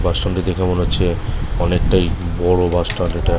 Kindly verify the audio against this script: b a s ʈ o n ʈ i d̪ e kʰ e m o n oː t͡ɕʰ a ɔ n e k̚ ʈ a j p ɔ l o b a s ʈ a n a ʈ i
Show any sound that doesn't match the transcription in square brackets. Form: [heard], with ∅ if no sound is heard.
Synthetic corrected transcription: b a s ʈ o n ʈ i d̪ e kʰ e m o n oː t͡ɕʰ [e] ɔ n e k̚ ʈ a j [b] ɔ [ɽ] o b a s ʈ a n [e] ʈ [a]